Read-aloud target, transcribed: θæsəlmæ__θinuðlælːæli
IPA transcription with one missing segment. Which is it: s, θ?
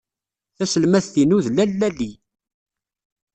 θ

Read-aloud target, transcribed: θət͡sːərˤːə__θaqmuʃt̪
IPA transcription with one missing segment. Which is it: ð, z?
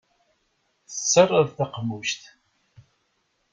ð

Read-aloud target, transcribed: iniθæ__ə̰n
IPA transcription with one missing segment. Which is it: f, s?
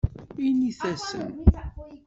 s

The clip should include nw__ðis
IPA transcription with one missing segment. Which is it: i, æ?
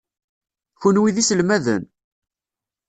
i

